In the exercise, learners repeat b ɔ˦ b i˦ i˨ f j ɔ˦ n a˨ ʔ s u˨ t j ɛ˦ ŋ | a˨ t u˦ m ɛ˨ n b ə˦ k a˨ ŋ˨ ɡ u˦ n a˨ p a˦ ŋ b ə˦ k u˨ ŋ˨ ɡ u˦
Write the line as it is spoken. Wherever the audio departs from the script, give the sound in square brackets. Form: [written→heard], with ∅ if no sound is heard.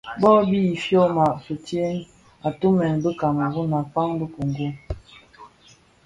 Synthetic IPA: b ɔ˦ b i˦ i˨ f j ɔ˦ [n→m] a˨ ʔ s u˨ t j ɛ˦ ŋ | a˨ t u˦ m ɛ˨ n b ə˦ k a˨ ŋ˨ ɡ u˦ n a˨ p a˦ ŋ b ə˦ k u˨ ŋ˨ ɡ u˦